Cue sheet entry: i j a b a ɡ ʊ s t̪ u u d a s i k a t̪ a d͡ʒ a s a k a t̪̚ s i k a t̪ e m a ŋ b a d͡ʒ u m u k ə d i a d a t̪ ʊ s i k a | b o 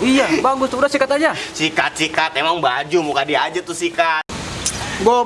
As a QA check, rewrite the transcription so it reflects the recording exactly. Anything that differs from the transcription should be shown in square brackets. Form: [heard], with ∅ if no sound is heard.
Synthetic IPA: i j a b a ɡ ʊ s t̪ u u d a s i k a t̪ a d͡ʒ a s [i] k a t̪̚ s i k a t̪ e m a ŋ b a d͡ʒ u m u k [a] d i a [d͡ʒ] a t̪ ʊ s i k a | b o